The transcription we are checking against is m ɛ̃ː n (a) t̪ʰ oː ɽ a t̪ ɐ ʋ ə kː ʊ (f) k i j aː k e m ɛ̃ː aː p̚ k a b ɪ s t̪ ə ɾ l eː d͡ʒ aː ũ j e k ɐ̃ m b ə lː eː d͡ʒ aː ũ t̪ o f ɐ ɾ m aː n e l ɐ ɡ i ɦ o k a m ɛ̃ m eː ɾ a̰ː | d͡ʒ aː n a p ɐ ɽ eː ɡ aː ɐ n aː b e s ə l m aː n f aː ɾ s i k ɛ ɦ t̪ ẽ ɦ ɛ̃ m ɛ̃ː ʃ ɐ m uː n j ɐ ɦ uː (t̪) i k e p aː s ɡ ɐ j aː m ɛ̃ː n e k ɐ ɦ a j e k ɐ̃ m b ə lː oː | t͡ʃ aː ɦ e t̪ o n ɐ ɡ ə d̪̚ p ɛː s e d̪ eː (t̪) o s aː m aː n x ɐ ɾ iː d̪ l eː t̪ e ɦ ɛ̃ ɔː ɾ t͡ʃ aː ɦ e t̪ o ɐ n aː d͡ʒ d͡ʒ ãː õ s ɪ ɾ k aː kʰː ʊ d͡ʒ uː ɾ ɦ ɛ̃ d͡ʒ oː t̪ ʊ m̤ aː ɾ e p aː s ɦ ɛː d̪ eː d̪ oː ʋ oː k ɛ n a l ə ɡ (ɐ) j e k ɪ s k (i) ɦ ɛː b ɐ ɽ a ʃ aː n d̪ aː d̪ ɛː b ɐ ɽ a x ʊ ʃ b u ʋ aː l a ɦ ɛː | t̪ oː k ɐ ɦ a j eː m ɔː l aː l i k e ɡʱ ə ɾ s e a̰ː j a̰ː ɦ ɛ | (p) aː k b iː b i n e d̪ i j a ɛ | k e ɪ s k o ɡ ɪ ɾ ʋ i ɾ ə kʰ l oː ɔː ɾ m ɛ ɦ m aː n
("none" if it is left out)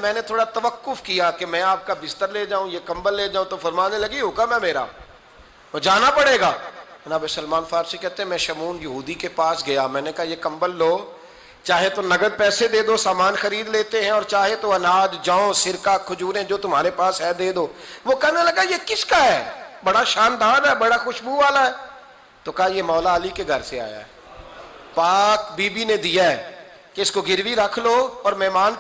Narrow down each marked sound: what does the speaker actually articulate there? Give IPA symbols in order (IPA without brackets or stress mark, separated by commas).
e, f, d̪, d̪, a, a, p